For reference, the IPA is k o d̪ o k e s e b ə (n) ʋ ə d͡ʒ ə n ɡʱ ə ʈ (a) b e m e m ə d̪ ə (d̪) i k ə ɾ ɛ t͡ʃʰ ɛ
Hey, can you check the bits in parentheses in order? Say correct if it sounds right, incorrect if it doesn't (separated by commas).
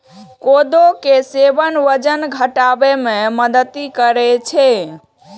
correct, correct, incorrect